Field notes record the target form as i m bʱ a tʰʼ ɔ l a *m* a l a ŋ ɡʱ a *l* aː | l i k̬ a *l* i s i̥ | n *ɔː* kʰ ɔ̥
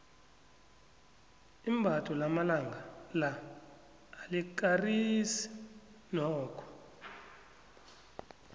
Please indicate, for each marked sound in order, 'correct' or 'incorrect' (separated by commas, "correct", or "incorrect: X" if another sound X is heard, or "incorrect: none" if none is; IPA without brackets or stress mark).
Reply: correct, correct, incorrect: r, correct